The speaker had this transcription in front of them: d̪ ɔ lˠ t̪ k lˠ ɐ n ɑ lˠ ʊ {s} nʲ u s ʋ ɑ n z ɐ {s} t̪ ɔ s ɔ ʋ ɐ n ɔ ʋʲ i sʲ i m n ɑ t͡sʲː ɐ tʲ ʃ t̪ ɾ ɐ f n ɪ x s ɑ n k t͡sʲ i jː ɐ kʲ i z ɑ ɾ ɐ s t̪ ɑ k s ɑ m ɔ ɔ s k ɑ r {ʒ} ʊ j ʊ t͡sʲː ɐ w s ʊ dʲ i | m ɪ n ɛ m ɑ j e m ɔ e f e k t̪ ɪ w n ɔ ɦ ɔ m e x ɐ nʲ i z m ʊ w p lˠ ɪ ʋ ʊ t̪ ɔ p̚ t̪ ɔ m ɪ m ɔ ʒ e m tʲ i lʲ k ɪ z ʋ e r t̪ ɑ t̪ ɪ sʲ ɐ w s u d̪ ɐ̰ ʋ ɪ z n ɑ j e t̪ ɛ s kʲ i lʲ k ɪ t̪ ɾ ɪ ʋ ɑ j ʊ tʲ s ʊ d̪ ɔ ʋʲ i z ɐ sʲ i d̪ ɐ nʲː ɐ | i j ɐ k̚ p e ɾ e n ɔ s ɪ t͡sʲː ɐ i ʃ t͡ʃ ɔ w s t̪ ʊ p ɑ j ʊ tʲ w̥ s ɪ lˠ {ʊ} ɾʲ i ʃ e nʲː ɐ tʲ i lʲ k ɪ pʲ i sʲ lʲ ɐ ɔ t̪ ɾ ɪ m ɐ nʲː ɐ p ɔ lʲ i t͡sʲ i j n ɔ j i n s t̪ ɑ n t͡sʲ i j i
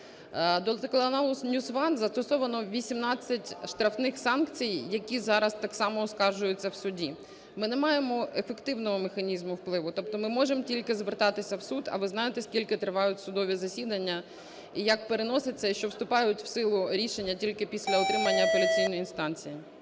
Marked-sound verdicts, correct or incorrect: correct, correct, correct, correct

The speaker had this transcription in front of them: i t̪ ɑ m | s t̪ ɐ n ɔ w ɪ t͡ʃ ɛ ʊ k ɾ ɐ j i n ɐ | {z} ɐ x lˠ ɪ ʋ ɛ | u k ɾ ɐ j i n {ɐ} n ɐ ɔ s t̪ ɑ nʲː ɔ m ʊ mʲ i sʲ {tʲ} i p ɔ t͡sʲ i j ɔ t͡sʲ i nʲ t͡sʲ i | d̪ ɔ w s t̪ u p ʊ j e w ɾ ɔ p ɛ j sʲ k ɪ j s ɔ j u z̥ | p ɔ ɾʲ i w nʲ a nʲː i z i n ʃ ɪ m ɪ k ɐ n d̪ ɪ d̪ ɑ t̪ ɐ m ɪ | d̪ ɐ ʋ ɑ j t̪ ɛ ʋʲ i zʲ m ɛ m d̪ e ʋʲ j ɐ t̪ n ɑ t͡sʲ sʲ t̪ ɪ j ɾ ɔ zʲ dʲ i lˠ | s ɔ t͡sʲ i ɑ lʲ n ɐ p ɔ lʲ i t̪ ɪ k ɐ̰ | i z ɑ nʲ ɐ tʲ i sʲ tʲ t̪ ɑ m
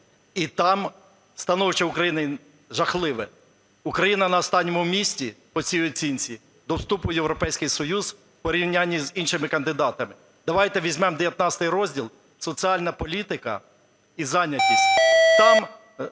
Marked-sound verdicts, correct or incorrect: incorrect, correct, correct

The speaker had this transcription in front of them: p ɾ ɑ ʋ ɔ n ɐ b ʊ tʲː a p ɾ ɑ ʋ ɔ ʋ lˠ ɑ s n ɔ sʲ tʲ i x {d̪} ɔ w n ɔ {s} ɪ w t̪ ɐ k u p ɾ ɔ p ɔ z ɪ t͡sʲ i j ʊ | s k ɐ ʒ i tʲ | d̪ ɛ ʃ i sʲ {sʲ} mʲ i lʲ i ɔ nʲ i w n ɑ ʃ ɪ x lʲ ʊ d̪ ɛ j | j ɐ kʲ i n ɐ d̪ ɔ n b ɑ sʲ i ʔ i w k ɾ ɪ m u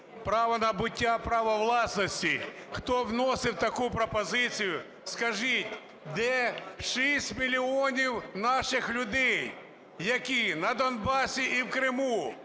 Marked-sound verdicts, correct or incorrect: incorrect, correct, incorrect

